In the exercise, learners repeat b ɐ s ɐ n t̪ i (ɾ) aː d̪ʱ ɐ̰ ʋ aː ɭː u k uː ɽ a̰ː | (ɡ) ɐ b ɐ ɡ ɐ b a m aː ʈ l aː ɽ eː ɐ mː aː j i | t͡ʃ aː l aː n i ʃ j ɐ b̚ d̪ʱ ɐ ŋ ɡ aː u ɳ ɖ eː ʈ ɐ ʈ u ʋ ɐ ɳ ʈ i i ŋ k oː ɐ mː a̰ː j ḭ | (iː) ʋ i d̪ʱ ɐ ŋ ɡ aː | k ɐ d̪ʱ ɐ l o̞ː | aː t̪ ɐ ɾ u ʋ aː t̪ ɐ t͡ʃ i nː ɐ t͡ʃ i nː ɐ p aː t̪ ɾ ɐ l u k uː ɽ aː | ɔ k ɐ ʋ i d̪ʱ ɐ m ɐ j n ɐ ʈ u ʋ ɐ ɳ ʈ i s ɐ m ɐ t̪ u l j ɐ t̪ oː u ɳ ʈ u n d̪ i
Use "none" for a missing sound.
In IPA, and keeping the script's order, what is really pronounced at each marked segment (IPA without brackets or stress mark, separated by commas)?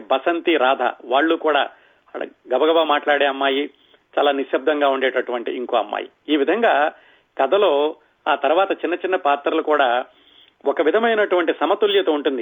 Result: ɾ, ɡ, iː